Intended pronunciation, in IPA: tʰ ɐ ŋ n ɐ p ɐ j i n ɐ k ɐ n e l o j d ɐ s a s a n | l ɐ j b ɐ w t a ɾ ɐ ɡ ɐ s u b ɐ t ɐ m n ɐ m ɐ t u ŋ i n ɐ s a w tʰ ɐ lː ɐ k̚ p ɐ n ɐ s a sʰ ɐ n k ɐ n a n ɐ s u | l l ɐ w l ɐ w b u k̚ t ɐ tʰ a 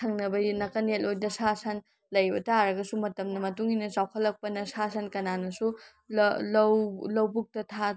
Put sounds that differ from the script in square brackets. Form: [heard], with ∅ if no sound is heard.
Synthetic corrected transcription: tʰ ɐ ŋ n ɐ [b] ɐ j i n ɐ k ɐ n e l o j d ɐ s a s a n | l ɐ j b ɐ [∅] t a ɾ ɐ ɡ ɐ s u [m] ɐ t ɐ m n ɐ m ɐ t u ŋ i n ɐ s a w [kʰ] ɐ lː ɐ k̚ p ɐ n ɐ s a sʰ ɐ n k ɐ n a n ɐ s u | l l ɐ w l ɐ w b u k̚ t ɐ tʰ a